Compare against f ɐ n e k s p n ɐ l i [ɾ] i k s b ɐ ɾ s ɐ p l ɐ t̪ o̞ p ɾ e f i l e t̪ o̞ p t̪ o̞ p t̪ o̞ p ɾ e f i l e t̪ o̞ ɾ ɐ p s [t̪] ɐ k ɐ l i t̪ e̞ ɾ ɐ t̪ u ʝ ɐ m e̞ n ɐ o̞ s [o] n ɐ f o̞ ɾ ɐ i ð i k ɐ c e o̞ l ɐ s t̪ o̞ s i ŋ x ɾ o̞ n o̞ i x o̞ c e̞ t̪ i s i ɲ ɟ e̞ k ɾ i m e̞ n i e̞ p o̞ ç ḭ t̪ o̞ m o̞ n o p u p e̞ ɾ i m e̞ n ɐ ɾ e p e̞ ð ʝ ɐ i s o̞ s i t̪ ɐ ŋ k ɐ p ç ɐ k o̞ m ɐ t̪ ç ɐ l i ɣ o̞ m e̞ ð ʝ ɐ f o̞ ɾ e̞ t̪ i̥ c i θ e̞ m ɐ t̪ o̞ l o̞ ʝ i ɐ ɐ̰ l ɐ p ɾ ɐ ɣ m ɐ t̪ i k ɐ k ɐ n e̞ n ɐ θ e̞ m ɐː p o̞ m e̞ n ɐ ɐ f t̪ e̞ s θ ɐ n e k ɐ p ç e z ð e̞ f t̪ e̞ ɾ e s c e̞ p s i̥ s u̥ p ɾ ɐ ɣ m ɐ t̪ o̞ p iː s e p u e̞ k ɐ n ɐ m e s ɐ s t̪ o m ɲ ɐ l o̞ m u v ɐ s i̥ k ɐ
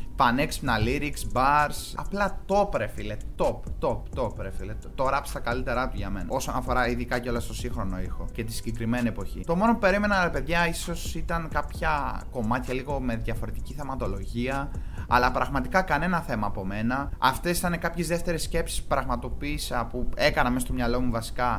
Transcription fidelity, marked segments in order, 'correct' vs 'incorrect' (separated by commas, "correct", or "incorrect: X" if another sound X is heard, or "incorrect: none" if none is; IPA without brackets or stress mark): correct, correct, correct